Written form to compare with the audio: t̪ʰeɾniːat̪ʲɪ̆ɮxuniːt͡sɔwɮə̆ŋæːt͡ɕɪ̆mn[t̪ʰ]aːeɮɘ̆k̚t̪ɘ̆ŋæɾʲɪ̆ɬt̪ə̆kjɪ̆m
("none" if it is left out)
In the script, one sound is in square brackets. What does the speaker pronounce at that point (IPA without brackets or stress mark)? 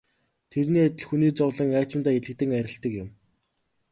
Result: t̪